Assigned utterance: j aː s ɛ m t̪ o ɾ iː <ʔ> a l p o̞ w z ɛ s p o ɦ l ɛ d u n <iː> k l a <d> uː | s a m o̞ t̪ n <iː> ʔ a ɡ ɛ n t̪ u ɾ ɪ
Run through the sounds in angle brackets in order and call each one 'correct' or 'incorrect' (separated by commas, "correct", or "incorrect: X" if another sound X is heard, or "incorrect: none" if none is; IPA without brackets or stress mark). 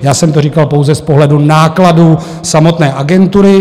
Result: incorrect: k, incorrect: aː, correct, incorrect: ɛː